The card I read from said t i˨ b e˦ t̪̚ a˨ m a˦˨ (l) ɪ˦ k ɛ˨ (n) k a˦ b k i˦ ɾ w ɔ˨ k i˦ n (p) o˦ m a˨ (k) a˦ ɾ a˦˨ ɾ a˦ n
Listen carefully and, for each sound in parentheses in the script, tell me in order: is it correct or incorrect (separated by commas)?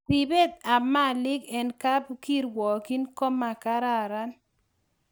correct, correct, incorrect, correct